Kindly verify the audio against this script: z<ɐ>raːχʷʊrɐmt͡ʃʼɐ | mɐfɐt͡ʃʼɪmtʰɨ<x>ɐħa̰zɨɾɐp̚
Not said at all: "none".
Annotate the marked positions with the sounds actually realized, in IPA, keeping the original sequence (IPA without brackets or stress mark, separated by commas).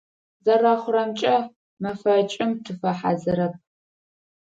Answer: ɐ, f